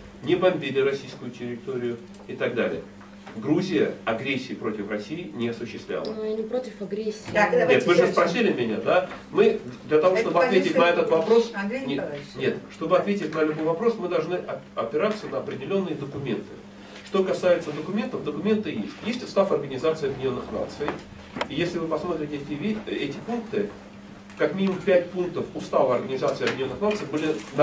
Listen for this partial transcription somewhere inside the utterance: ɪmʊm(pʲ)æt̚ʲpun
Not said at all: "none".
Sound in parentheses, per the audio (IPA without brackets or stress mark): pʲ